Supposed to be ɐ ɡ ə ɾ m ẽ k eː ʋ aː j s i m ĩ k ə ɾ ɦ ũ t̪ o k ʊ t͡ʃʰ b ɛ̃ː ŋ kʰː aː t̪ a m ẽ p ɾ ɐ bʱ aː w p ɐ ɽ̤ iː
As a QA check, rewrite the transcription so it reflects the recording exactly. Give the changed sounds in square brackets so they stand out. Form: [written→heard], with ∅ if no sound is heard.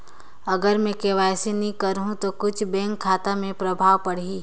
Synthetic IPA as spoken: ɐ ɡ ə ɾ m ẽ k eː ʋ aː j s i [m→n] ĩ k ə ɾ ɦ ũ t̪ o k ʊ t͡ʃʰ b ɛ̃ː ŋ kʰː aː t̪ a m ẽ p ɾ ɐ bʱ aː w p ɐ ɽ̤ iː